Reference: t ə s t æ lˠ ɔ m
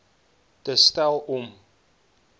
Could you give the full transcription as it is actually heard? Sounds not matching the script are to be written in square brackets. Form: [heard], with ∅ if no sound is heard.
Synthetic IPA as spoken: t ə s t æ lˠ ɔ m